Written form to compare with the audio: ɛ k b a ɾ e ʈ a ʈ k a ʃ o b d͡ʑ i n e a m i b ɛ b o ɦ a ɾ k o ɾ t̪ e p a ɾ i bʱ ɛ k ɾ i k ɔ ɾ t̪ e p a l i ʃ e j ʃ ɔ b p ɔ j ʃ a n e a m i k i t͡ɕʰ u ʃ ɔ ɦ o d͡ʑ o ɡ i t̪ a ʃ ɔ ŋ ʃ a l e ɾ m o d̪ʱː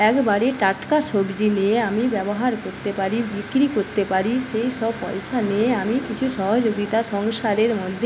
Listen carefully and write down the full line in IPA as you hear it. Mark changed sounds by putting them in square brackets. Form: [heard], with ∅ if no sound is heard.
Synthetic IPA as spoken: ɛ k b a ɾ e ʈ a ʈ k a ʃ o b d͡ʑ i n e a m i b ɛ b o ɦ a ɾ k o ɾ t̪ e p a ɾ i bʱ [i] k ɾ i k [o] ɾ t̪ e p a [ɾ] i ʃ e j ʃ ɔ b p ɔ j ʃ a n e a m i k i t͡ɕʰ u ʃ ɔ ɦ o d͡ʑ o ɡ i t̪ a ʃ ɔ ŋ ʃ a [ɾ] e ɾ m o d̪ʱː